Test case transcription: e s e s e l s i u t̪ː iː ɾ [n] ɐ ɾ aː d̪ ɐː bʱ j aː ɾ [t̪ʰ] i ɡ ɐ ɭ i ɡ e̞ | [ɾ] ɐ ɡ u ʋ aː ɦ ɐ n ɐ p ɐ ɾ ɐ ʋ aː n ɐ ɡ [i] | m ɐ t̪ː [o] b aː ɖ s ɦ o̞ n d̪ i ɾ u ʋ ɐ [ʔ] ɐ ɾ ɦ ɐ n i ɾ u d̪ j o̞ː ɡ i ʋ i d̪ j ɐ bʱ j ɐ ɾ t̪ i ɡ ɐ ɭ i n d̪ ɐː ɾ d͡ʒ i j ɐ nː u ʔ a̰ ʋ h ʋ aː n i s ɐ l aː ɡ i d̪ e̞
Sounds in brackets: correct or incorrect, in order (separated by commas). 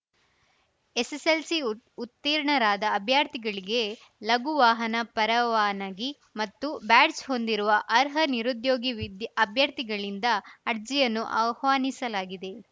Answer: incorrect, incorrect, incorrect, correct, incorrect, correct